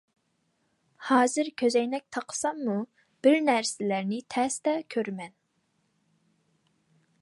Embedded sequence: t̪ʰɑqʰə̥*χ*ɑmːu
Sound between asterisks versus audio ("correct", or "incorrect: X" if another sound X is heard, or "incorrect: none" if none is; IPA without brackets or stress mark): incorrect: s